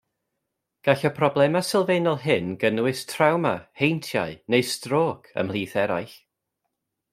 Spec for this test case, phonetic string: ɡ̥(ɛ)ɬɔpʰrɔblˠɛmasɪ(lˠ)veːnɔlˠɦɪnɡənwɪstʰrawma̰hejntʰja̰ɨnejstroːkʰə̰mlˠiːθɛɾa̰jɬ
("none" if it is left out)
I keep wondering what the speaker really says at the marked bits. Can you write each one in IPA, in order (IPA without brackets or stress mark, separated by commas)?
a, lˠ